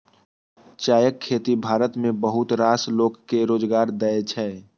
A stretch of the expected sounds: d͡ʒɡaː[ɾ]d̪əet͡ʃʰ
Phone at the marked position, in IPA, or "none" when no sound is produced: ɾ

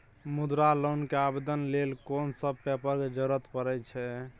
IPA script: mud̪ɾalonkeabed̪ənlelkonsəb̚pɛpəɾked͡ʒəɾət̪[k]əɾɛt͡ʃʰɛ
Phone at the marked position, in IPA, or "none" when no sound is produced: p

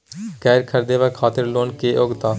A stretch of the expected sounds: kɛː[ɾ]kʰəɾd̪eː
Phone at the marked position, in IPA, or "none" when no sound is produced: ɾ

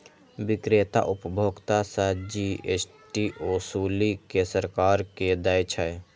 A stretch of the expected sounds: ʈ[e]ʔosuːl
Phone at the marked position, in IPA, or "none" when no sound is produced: i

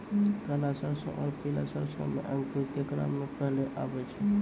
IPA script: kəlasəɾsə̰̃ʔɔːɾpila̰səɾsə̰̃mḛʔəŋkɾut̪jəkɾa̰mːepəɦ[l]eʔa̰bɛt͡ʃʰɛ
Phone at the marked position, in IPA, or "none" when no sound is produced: l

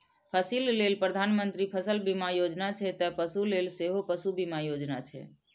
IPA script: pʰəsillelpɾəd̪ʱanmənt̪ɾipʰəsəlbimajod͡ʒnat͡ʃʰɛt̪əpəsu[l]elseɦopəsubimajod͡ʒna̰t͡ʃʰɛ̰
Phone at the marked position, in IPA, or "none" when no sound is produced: l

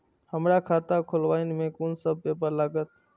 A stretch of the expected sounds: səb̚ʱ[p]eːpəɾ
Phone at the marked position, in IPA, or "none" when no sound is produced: p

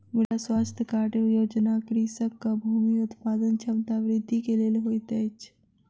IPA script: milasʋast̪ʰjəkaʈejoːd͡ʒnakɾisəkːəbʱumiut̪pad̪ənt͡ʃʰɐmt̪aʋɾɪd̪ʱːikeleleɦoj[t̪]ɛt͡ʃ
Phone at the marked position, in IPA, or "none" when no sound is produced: t̪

